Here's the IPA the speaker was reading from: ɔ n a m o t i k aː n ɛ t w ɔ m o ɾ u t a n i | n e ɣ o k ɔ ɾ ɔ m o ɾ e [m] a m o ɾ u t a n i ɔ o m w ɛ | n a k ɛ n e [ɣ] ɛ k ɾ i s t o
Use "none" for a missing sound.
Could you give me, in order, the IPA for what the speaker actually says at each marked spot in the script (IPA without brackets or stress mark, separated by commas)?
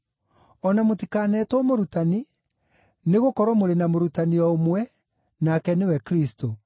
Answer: n, w